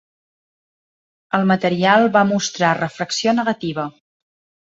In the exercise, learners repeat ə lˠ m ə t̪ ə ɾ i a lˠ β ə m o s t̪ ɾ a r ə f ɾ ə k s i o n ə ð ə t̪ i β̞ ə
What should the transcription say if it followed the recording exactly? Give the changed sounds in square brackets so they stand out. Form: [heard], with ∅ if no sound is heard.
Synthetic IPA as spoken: ə lˠ m ə t̪ ə ɾ i a lˠ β [a] m [u] s t̪ ɾ a r ə f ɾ ə k s i o n ə [ɣ] ə t̪ i β̞ ə